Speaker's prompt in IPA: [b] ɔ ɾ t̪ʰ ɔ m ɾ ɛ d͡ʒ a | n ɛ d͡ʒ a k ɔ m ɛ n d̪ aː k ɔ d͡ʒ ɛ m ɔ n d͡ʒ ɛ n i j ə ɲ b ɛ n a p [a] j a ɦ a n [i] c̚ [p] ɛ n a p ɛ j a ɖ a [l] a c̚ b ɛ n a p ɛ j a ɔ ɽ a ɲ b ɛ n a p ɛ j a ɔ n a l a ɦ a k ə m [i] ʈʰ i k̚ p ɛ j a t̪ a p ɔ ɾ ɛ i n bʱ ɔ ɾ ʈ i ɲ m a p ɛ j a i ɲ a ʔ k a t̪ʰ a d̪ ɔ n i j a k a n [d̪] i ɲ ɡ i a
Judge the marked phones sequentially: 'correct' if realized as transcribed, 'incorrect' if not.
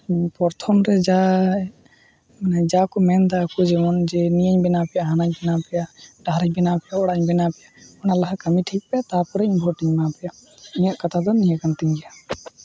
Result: incorrect, incorrect, incorrect, incorrect, incorrect, correct, incorrect

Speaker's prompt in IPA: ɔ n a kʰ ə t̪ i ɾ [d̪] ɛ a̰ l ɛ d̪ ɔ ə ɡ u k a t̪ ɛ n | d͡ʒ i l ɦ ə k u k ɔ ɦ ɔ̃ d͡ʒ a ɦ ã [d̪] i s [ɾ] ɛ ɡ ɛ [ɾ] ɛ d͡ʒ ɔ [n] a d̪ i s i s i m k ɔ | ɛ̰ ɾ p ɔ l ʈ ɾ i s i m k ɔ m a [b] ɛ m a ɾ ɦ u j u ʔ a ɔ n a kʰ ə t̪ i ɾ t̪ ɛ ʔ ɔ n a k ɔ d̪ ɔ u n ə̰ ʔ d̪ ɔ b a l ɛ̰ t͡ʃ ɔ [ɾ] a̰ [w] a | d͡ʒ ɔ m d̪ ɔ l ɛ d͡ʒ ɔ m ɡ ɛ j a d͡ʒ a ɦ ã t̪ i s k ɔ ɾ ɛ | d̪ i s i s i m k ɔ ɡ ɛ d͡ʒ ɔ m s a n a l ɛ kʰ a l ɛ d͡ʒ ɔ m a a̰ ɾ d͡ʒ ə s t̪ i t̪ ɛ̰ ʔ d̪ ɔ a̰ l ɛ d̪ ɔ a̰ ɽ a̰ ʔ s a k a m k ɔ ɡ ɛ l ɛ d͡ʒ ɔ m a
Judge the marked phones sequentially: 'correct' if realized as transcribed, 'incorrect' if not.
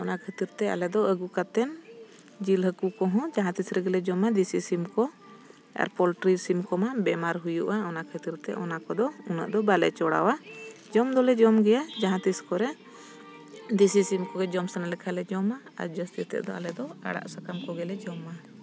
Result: incorrect, incorrect, correct, incorrect, incorrect, correct, incorrect, correct

